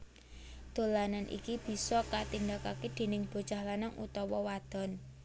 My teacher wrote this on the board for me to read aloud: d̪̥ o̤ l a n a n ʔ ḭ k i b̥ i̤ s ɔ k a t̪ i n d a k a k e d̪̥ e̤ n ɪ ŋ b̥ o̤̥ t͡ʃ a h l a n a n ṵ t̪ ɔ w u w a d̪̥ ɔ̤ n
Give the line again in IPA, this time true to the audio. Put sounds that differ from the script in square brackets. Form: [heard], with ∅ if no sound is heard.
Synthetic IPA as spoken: d̪̥ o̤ l a n a n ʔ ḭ k i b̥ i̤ s ɔ k a t̪ i n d a k a k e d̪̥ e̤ n ɪ ŋ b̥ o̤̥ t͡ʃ a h l a n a [ŋ] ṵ t̪ ɔ w [ɔ] w a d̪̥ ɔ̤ n